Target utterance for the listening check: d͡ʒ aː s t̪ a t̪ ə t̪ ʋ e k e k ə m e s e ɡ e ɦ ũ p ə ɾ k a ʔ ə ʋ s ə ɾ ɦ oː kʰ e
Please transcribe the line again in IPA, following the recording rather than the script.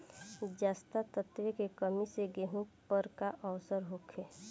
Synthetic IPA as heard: d͡ʒ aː s t̪ a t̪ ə t̪ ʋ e k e k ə m i s e ɡ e ɦ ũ p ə ɾ k a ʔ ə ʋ s ə ɾ ɦ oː kʰ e